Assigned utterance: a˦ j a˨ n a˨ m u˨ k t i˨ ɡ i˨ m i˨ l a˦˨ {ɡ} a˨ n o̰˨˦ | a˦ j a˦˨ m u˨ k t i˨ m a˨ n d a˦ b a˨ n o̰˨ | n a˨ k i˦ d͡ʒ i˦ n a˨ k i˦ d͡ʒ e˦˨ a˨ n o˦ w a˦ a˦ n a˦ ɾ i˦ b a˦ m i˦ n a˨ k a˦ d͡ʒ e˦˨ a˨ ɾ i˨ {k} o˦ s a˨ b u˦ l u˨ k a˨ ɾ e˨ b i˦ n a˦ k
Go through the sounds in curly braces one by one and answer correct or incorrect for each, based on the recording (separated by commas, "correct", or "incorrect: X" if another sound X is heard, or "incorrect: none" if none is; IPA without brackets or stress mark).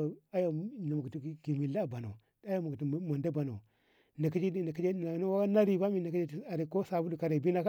incorrect: b, correct